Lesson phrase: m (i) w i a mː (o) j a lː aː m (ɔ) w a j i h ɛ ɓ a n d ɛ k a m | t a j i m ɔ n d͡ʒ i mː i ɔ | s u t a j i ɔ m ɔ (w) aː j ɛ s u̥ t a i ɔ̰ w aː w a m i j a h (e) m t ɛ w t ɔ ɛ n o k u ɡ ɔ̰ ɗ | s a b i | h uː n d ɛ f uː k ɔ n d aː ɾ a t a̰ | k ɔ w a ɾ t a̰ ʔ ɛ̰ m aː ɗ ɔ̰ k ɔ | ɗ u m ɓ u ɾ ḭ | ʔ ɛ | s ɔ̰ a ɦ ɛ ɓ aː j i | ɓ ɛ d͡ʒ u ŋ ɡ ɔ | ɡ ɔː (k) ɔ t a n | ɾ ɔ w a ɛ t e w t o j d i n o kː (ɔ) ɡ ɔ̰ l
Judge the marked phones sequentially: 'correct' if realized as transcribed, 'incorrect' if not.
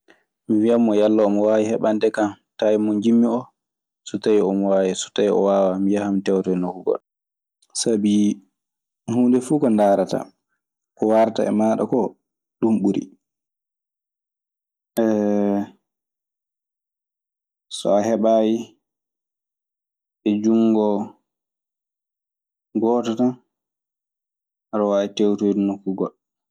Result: correct, incorrect, correct, correct, incorrect, incorrect, incorrect

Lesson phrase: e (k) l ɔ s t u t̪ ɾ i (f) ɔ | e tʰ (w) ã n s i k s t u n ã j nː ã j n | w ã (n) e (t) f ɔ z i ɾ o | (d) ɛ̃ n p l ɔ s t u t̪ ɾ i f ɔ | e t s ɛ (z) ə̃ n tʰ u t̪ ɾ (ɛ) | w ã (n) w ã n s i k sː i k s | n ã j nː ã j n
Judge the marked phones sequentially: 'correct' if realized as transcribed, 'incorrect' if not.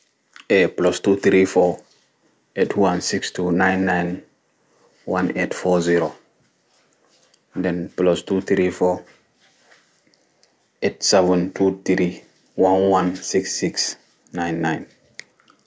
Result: incorrect, correct, correct, correct, correct, correct, incorrect, incorrect, correct

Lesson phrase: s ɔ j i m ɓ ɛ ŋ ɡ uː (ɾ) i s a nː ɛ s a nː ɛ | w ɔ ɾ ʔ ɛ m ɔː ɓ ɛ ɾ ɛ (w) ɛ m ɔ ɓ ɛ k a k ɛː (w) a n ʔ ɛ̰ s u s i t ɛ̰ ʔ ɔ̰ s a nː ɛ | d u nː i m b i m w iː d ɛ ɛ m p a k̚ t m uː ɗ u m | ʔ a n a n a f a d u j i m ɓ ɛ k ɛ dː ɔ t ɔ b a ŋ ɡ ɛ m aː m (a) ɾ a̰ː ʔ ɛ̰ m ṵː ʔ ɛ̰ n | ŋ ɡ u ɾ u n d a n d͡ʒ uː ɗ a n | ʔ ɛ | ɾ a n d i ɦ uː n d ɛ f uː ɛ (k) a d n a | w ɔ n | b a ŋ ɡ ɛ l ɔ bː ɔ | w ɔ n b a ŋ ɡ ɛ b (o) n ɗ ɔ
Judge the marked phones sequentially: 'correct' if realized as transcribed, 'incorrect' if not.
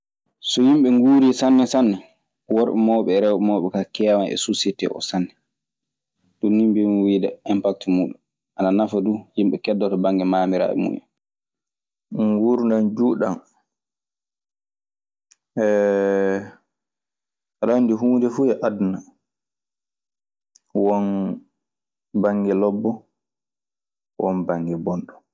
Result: correct, correct, correct, incorrect, incorrect, incorrect

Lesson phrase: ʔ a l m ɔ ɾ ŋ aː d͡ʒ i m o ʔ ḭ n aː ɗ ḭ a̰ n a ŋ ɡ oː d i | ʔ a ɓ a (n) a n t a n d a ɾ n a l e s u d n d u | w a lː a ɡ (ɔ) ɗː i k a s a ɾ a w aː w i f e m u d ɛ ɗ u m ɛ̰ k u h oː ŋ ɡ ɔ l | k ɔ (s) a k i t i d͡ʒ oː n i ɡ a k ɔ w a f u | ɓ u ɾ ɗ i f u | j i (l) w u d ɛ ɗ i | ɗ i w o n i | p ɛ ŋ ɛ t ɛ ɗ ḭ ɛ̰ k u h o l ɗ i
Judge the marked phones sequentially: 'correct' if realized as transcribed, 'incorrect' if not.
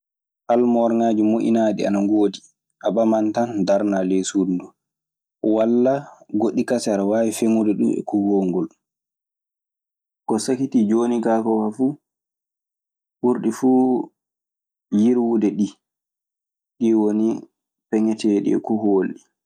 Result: incorrect, incorrect, correct, incorrect

